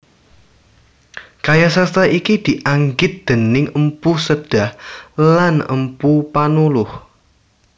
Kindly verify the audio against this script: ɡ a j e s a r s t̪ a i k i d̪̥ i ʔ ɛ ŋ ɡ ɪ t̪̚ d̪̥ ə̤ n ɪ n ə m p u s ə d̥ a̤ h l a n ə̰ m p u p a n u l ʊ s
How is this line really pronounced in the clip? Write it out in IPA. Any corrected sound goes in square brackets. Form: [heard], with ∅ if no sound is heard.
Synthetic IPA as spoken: [k] a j [a] s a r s t̪ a i k i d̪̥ i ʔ [a] ŋ ɡ ɪ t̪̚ d̪̥ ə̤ n ɪ [ŋ] ə m p u s ə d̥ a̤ h l a n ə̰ m p u p a n u l ʊ [h]